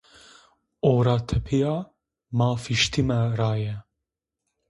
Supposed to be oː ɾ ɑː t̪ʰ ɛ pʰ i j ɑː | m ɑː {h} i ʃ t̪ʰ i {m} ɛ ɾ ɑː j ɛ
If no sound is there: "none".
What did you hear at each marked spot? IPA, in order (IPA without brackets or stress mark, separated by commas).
f, m